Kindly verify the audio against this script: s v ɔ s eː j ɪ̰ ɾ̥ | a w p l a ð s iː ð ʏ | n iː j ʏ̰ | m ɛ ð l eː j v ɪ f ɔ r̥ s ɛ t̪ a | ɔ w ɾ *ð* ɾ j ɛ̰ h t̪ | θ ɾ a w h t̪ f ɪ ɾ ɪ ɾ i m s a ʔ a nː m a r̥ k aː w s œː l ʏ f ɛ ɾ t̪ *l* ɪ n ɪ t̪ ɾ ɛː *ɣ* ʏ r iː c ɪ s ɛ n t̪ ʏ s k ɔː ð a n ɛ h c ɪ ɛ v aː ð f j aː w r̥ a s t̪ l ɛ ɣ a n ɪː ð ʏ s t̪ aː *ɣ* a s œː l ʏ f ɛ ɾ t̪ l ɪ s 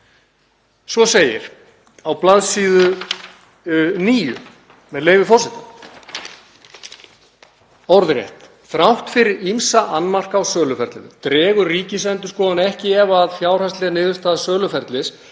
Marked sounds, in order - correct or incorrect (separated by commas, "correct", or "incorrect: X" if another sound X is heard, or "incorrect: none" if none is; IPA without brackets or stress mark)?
correct, correct, correct, incorrect: ð